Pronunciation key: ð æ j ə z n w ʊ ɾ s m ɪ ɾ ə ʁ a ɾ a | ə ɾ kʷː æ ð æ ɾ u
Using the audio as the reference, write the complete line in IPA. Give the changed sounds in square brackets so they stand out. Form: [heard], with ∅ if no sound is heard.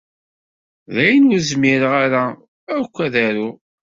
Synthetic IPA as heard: ð æ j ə [∅] n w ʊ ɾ [z] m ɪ ɾ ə ʁ a ɾ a | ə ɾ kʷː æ ð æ ɾ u